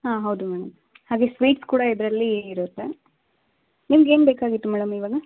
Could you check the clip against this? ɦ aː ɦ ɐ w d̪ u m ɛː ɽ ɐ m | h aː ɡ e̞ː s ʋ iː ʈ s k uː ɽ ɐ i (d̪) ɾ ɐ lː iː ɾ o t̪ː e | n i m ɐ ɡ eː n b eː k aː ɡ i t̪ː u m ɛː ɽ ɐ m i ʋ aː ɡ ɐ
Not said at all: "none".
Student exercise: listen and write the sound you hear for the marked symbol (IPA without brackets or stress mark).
d̪